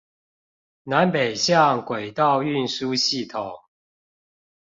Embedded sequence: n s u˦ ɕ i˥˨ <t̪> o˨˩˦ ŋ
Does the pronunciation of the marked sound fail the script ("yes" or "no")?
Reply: yes